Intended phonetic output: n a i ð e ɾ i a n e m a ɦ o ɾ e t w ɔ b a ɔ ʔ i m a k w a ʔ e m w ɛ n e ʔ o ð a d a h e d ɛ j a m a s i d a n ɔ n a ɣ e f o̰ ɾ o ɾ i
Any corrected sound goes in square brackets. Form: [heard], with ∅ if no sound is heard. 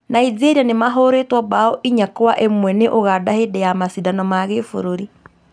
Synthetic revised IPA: n a i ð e ɾ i a n e m a ɦ o ɾ e t w ɔ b a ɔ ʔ i [ɲ] a k w a ʔ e m w ɛ n e ʔ o [ɣ] a d a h e d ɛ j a m a s i d a n ɔ [m] a ɣ e f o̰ ɾ o ɾ i